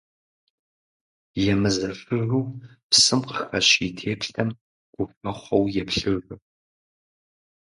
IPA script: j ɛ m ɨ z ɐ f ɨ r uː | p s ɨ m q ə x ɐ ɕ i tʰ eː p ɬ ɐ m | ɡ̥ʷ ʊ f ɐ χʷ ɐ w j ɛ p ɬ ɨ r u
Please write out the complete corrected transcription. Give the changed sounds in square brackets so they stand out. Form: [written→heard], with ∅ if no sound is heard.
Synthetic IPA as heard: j ɛ m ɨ z ɐ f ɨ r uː | p s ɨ m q ə x ɐ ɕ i tʰ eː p ɬ ɐ m | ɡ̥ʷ ʊ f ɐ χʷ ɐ w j ɛ p ɬ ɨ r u